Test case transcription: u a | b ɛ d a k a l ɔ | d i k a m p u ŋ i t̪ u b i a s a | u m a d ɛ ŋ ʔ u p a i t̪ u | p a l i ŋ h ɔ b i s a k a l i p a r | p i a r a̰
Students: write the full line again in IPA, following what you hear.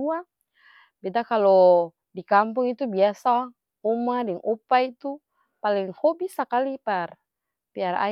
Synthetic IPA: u a | b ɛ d a k a l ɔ | d i k a m p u ŋ i t̪ u b i a s a | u m a d ɛ ŋ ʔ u p a i t̪ u | p a l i ŋ h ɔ b i s a k a l i p a r | p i a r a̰